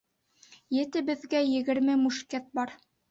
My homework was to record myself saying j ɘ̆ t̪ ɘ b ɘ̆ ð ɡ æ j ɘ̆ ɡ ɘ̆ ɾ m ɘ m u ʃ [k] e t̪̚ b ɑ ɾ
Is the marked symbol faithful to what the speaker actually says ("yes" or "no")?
yes